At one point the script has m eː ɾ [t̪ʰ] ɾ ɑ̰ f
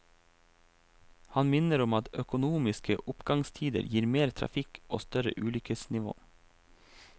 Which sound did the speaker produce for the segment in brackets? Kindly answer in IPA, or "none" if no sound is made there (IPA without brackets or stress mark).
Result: t̪ʰ